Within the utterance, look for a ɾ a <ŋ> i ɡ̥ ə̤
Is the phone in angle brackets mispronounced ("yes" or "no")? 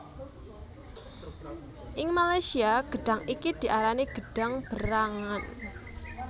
yes